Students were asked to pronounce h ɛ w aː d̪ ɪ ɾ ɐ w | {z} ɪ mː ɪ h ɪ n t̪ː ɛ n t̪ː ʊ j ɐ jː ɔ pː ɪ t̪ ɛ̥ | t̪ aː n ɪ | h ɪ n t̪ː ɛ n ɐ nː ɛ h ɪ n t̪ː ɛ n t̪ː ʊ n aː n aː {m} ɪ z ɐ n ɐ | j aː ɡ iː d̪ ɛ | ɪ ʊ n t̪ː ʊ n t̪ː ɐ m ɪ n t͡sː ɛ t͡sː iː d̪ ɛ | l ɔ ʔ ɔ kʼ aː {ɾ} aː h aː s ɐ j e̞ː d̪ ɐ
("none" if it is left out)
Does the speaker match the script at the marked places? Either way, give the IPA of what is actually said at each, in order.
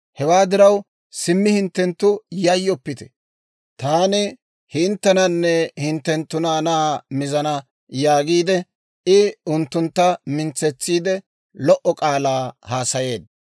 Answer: s, m, l

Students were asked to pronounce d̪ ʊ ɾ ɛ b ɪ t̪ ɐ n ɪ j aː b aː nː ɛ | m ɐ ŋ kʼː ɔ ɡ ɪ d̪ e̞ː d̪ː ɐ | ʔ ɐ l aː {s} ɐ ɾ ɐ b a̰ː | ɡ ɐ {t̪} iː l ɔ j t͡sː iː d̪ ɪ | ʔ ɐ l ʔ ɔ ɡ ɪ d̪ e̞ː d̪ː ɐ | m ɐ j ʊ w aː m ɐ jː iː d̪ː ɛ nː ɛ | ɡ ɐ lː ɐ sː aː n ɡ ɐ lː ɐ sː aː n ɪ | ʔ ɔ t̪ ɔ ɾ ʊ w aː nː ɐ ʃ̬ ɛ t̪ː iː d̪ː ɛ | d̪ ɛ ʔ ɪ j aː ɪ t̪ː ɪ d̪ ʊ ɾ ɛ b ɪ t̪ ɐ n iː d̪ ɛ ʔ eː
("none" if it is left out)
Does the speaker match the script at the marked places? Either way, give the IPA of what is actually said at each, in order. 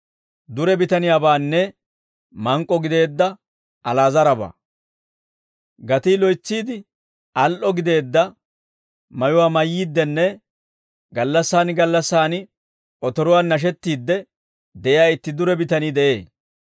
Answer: z, t̪

